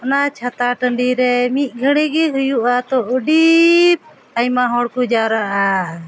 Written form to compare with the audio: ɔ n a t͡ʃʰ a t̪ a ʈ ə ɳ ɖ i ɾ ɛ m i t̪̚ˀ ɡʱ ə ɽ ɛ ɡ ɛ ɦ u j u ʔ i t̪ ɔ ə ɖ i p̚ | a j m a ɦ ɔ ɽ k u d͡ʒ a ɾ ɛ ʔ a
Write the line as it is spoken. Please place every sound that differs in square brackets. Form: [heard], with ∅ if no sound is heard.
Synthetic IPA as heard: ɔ n a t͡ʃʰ a t̪ a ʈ ə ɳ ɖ i ɾ ɛ m i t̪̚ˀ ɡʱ ə ɽ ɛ ɡ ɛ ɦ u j u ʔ [a] t̪ ɔ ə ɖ i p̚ | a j m a ɦ ɔ ɽ k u d͡ʒ a ɾ [a] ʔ a